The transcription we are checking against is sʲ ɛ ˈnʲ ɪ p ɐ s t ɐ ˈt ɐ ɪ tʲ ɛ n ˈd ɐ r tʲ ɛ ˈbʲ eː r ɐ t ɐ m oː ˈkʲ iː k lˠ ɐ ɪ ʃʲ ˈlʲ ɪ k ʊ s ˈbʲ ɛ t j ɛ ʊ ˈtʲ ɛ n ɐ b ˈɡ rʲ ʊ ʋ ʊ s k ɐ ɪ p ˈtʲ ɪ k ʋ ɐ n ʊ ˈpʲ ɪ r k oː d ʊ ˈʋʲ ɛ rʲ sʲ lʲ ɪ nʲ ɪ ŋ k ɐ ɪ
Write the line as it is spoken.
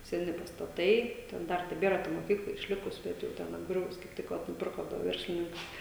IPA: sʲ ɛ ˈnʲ ɪ p ɐ s t ɐ ˈt ɐ ɪ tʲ ɛ n ˈd ɐ r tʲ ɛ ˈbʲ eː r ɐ t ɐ m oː ˈkʲ iː k lˠ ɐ ɪ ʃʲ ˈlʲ ɪ k ʊ s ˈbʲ ɛ t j ɛ ʊ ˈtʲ ɛ n ɐ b ˈɡ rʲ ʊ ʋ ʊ s k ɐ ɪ p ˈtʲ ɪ k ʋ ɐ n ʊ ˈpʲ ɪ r k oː d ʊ ˈʋʲ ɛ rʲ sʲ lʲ ɪ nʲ ɪ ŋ k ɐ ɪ